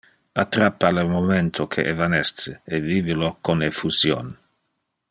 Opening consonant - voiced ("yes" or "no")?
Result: no